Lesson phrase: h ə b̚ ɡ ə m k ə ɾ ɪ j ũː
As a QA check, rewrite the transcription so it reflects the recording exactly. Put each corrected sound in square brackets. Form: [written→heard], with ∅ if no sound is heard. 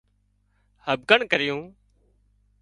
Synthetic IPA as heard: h ə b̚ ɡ ə [m→ɳ] k ə ɾ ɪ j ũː